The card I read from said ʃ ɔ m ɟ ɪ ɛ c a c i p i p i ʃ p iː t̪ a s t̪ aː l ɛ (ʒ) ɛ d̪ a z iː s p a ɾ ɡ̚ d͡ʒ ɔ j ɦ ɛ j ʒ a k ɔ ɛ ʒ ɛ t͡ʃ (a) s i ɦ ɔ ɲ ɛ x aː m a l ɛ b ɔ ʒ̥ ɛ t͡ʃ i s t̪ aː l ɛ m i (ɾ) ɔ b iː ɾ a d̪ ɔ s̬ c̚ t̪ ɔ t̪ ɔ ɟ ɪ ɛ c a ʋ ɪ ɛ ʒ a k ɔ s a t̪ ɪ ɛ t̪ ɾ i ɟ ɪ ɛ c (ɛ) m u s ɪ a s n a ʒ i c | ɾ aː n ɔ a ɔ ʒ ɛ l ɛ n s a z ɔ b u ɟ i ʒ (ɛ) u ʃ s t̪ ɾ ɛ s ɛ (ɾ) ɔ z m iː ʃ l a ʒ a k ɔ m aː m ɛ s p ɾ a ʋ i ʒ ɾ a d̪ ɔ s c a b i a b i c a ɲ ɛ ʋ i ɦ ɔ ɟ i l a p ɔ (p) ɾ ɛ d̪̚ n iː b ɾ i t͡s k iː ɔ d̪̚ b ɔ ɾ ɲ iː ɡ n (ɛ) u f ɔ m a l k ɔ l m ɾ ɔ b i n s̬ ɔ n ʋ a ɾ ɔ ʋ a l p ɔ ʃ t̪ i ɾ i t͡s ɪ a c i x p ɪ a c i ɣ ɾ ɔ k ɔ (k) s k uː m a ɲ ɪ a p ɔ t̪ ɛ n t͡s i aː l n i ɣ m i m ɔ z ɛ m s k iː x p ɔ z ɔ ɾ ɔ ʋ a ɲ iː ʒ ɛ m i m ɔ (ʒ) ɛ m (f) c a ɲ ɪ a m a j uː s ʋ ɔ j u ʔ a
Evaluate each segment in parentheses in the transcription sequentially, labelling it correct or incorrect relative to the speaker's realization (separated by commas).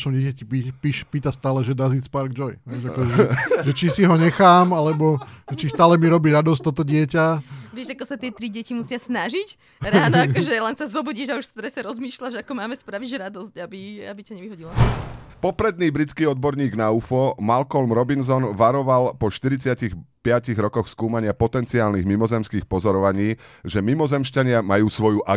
correct, incorrect, correct, incorrect, incorrect, correct, correct, incorrect, incorrect, incorrect, incorrect